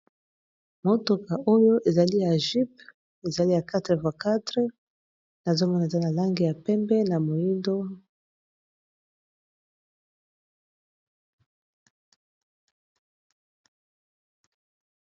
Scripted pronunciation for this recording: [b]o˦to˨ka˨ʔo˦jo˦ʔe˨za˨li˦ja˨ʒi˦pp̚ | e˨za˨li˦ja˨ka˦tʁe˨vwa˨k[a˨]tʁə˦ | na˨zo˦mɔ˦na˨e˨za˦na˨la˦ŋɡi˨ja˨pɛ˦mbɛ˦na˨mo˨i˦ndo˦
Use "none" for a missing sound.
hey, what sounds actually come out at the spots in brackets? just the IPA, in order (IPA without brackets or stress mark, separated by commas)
m, a˦